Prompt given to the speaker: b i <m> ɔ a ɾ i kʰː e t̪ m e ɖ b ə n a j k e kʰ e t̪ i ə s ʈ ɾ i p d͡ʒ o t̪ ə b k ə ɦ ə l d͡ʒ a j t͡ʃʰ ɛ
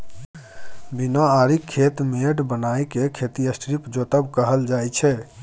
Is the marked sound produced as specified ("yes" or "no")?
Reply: no